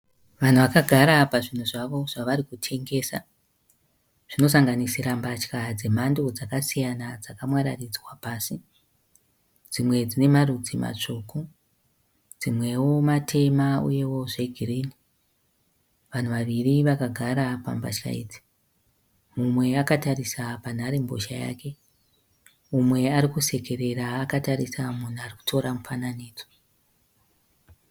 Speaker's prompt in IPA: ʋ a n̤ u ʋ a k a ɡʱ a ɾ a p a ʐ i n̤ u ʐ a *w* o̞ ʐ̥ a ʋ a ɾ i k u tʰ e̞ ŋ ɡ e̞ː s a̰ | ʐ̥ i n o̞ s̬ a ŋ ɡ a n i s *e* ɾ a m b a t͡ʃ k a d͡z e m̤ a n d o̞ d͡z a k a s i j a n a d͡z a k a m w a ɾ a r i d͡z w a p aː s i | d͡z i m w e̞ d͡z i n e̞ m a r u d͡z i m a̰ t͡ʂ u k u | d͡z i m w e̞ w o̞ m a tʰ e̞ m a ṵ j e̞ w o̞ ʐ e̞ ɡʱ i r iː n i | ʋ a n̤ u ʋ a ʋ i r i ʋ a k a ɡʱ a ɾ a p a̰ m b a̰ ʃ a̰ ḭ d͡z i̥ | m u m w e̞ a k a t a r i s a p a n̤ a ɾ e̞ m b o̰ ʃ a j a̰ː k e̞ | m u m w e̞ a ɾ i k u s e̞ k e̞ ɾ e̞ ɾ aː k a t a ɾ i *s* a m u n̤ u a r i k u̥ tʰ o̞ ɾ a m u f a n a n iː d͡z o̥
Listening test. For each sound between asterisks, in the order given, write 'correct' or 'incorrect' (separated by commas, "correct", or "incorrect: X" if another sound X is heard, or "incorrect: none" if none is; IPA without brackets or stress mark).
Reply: incorrect: ʋ, incorrect: i, correct